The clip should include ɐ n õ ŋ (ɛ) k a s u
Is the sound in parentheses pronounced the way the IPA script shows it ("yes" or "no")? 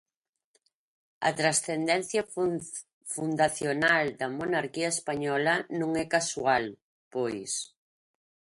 yes